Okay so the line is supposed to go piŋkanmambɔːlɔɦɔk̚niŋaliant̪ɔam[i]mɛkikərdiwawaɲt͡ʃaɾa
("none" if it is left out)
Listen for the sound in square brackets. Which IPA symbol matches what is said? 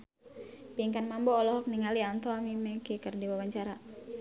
i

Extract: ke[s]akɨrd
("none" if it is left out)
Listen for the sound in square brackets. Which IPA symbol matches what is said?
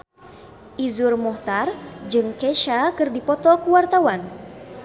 ʃ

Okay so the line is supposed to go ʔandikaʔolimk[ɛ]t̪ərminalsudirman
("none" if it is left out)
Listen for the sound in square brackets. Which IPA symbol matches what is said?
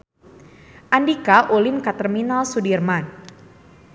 a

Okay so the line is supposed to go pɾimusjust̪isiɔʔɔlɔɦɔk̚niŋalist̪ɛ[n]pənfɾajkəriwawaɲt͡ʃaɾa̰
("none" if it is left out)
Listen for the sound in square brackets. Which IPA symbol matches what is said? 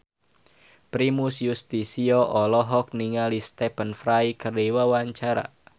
none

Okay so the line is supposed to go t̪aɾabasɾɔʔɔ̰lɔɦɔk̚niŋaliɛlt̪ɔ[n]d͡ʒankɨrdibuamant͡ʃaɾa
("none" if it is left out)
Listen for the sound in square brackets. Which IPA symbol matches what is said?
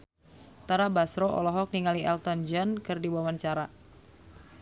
n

